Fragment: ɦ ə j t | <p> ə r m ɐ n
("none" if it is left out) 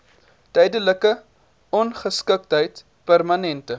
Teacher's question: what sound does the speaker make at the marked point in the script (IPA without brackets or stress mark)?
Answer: p